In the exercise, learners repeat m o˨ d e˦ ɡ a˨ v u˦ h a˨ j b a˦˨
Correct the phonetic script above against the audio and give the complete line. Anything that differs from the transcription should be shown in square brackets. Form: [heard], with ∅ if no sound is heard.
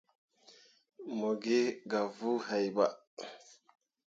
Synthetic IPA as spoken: m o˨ [ɡ] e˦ ɡ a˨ v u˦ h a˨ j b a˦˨